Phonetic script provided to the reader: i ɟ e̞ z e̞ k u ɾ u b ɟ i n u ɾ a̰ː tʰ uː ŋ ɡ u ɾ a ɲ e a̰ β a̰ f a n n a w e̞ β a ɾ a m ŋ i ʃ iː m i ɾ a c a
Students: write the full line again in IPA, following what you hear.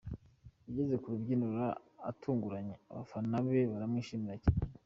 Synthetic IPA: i ɟ e̞ z e̞ k u ɾ u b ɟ i n u ɾ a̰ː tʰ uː ŋ ɡ u ɾ a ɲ e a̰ β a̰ f a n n a β e̞ β a ɾ a m ŋ i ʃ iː m i ɾ a c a

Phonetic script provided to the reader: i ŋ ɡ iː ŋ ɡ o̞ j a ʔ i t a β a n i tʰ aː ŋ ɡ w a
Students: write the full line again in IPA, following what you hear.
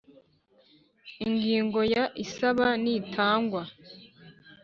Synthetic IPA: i ŋ ɡ iː ŋ ɡ o̞ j a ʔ i s a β a n i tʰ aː ŋ ɡ w a

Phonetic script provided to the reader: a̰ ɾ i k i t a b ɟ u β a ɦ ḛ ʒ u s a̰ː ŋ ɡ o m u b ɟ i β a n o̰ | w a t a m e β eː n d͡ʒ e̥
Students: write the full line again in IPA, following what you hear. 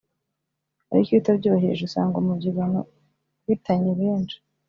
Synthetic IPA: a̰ ɾ i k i t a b ɟ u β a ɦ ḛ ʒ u s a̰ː ŋ ɡ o m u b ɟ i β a n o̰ | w i t a ɲ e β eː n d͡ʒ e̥

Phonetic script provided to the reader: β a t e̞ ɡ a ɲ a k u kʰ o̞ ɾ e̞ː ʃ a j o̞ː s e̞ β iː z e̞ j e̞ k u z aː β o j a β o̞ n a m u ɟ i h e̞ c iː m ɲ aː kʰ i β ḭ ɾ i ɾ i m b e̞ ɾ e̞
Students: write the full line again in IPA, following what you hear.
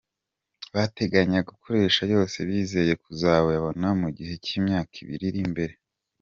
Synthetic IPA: β a t e̞ ɡ a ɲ a ɡ u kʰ o̞ ɾ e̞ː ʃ a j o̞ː s e̞ β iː z e̞ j e̞ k u z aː β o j a β o̞ n a m u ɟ i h e̞ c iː m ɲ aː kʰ i β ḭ ɾ i ɾ i m b e̞ ɾ e̞

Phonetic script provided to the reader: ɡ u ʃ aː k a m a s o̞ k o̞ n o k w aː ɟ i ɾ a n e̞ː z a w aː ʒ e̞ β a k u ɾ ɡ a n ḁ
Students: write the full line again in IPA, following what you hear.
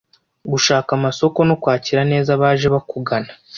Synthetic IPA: ɡ u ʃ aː k a m a s o̞ k o̞ n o k w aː c i ɾ a n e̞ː z a β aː ʒ e̞ β a k u ɡ a n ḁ

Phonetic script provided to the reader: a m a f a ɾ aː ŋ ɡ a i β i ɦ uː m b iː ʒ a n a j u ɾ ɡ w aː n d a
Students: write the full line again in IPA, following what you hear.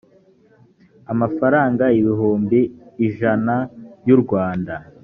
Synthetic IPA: a m a f a ɾ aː ŋ ɡ a i β i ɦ uː m b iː ʒ a n a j u ɾ ɡ w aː n d a

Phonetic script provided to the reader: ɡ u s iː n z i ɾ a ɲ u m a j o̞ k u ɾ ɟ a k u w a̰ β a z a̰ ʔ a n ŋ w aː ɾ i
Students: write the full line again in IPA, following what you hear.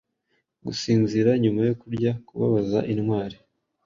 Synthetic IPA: ɡ u s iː n z i ɾ a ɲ u m a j o̞ k u ɾ ɟ a k u β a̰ β a z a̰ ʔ i n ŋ w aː ɾ i

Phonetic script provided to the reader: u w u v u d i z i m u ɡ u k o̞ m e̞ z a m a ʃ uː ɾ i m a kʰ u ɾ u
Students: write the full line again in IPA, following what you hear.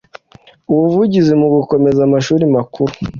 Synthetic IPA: u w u v u ɟ i z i m u ɡ u k o̞ m e̞ z a m a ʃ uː ɾ i m a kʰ u ɾ u

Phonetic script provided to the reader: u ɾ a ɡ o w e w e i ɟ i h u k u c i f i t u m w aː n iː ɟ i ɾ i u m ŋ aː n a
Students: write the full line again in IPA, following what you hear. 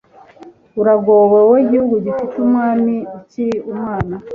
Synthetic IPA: u ɾ a ɡ o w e w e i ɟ i h u ɡ u ɟ i f i t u m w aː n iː c i ɾ i u m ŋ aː n a

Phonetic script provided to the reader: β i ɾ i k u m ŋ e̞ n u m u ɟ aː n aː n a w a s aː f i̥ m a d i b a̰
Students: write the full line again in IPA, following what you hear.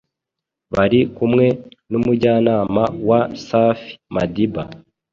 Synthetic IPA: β a ɾ i k u m ŋ e̞ n u m u ɟ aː n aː m a w a s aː f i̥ m a d i b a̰

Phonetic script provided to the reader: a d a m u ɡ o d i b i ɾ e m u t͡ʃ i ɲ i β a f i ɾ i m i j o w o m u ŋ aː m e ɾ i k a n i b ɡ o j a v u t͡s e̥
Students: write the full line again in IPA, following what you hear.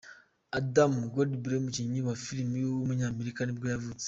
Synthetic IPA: a d a m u ɡ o d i b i ɾ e m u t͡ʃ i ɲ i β a f i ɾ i m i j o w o m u ɲ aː m e ɾ i k a n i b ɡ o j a v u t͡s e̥

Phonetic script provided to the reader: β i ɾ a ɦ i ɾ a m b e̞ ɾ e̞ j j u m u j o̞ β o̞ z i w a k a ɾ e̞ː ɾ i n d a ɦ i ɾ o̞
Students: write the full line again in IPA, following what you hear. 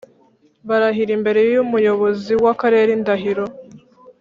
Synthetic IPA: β a ɾ a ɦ i ɾ i m b e̞ ɾ e̞ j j u m u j o̞ β o̞ z i w a k a ɾ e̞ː ɾ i n d a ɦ i ɾ o̞

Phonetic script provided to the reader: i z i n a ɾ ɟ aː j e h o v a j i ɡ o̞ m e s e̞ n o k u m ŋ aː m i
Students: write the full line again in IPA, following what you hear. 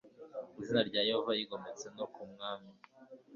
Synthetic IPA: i z i n a ɾ ɟ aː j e h o v a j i ɡ o̞ m e t͡s e̞ n o k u m ŋ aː m i

